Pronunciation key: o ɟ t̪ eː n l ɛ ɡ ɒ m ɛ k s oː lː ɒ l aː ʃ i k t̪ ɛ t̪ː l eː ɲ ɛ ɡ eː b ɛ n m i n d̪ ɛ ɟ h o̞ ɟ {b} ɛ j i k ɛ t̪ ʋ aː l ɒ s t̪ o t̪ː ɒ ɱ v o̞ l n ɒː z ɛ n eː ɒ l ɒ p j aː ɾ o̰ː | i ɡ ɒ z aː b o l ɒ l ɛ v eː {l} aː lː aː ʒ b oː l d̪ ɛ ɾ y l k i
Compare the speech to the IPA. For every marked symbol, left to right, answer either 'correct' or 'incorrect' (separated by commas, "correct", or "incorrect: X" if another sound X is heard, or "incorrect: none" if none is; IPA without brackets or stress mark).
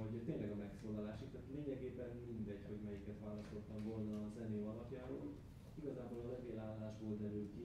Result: incorrect: m, correct